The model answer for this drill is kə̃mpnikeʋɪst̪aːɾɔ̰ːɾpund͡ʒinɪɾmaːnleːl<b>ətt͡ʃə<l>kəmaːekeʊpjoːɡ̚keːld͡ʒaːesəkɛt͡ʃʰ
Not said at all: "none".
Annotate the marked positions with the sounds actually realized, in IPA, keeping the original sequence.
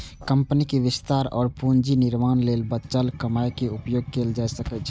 b, l

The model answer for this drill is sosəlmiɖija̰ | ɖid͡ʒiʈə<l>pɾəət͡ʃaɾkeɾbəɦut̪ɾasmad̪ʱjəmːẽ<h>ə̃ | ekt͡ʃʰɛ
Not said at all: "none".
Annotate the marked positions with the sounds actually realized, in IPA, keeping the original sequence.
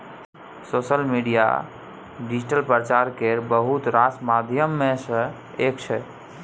l, s

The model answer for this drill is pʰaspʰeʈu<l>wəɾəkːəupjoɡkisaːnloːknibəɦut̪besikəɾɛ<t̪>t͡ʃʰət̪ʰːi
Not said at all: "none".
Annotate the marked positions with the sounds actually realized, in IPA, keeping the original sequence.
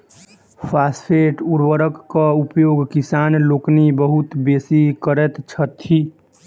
ɾ, t̪

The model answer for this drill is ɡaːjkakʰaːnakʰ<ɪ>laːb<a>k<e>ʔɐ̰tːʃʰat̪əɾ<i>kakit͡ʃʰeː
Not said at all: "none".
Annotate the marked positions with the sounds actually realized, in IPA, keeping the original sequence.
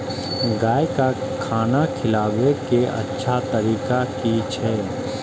ɪ, e, e, iː

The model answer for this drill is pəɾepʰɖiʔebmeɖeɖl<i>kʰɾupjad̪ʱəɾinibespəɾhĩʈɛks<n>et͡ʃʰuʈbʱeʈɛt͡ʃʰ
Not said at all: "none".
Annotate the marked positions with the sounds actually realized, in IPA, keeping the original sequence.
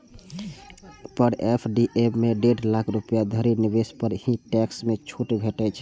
a, m

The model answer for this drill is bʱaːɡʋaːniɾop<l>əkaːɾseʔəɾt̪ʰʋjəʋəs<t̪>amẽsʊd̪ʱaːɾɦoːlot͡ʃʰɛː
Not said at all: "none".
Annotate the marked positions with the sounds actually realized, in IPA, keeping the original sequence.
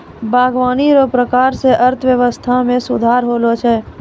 ɾ, t̪ʰ

